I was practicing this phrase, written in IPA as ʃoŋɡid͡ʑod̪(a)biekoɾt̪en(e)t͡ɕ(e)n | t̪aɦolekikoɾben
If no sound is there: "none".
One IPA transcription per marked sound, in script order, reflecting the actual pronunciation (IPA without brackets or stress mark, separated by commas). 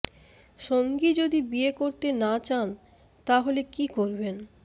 i, a, a